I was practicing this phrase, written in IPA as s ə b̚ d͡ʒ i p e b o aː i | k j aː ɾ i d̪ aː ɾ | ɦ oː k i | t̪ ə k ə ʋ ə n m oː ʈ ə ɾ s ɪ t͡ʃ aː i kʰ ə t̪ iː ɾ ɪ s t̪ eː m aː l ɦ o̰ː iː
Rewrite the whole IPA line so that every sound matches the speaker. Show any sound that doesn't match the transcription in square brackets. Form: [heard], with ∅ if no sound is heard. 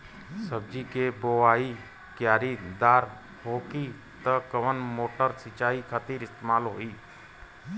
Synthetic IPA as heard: s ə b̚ d͡ʒ i [k] e b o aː i | k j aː ɾ i d̪ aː ɾ | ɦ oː k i | t̪ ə k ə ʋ ə n m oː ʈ ə ɾ s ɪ t͡ʃ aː i kʰ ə t̪ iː ɾ ɪ s t̪ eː m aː l ɦ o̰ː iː